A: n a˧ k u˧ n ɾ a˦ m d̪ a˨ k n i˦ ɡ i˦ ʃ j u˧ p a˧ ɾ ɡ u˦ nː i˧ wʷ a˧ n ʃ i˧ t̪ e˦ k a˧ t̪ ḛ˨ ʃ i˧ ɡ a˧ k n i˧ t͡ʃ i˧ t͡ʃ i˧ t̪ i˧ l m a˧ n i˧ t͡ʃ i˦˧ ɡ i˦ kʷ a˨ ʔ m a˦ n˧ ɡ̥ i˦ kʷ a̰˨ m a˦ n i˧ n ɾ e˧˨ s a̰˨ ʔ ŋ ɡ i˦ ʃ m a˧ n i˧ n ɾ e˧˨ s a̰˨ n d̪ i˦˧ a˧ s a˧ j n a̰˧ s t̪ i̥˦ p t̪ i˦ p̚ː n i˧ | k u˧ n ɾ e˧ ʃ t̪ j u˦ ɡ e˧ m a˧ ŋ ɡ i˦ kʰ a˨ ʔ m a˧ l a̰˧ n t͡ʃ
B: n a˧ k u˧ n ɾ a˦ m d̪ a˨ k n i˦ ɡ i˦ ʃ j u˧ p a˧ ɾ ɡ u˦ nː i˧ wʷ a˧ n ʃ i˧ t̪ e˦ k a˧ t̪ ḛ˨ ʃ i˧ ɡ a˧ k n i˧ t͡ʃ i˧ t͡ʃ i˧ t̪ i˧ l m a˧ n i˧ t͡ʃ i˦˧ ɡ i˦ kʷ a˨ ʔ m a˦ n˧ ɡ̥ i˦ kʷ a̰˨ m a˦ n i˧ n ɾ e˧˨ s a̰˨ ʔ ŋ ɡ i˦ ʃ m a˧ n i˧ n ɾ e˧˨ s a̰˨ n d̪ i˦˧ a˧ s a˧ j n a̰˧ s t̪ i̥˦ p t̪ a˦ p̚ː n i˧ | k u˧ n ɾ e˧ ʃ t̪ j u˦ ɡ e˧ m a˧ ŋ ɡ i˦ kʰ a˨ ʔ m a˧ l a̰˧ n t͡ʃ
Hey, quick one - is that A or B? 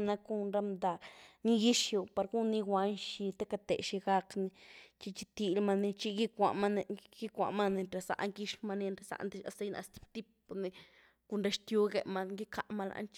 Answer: A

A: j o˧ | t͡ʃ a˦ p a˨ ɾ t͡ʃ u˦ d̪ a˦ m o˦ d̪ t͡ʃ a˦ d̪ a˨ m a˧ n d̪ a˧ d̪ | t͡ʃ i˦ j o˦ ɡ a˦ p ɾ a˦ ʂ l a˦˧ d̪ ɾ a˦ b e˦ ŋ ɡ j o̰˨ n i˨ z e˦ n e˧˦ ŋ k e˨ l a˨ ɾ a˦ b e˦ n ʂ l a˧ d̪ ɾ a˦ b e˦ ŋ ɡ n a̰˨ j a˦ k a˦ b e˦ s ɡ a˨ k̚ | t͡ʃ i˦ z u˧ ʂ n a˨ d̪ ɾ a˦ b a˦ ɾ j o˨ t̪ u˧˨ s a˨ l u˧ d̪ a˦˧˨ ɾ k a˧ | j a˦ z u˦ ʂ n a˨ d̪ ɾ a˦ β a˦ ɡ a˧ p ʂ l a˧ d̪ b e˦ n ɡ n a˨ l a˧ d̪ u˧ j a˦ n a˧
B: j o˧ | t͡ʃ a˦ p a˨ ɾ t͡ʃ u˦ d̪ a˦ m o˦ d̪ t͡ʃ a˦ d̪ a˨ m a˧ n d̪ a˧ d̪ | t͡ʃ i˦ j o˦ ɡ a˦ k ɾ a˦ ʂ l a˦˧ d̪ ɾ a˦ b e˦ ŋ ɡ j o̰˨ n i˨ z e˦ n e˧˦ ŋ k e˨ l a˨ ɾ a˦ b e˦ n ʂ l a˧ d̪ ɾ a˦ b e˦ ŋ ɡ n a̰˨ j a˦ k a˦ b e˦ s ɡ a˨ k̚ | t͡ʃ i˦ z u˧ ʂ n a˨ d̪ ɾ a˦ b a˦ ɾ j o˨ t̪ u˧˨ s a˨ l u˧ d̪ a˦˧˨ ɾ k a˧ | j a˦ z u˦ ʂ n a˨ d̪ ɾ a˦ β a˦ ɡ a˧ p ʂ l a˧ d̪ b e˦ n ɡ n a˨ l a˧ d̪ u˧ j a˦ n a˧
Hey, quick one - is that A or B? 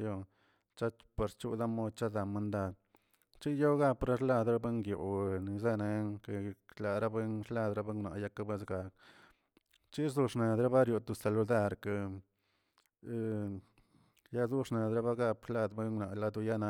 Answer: A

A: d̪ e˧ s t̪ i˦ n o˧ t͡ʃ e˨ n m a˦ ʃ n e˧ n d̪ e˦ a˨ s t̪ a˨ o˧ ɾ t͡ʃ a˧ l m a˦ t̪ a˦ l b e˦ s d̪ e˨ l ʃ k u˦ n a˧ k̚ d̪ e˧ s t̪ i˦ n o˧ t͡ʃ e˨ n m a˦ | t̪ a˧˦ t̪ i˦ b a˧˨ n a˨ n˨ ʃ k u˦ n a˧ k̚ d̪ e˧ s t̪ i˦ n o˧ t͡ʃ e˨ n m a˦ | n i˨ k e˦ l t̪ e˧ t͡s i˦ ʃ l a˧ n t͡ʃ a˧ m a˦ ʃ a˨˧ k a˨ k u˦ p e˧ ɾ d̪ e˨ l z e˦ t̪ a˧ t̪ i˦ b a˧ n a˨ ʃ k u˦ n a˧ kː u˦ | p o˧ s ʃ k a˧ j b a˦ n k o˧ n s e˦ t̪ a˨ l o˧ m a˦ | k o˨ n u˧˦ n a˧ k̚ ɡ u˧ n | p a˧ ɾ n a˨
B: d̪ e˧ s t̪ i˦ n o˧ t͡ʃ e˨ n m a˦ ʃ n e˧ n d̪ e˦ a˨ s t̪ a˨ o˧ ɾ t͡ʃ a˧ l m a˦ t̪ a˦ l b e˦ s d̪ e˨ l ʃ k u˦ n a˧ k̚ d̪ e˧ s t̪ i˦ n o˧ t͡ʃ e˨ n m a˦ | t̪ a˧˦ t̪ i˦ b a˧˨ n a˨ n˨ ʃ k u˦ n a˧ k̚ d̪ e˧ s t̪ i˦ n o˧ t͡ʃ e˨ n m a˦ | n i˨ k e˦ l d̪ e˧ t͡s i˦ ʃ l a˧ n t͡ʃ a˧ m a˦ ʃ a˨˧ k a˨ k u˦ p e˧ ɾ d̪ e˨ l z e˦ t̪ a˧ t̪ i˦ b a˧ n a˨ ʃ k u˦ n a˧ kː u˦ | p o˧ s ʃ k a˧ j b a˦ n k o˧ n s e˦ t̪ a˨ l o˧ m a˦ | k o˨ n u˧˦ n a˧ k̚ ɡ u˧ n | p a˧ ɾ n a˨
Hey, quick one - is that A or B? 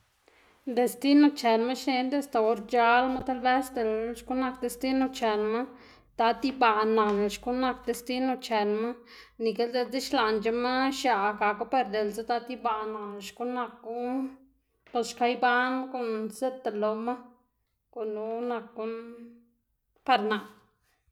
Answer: B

